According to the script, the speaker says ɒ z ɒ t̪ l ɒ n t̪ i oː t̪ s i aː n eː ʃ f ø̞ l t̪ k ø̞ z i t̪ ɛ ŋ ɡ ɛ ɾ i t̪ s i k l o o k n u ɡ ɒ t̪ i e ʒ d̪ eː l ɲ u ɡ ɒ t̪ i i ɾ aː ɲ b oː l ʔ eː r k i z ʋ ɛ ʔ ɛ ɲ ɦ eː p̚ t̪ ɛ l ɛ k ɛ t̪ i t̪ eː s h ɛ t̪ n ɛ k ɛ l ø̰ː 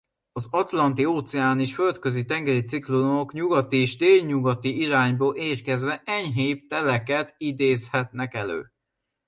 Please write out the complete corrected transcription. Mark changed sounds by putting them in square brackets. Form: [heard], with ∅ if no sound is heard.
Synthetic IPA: ɒ z ɒ t̪ l ɒ n t̪ i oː t̪ s [ɛ] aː n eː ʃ f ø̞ l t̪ k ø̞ z i t̪ ɛ ŋ ɡ ɛ ɾ i t̪ s i k l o o k [ɲ] u ɡ ɒ t̪ i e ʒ d̪ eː l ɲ u ɡ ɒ t̪ i i ɾ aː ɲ b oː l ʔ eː r k [ɛ] z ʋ ɛ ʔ ɛ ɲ ɦ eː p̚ t̪ ɛ l ɛ k ɛ t̪ i [d̪] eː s h ɛ t̪ n ɛ k ɛ l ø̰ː